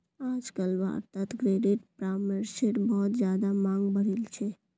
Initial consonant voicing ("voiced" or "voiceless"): voiced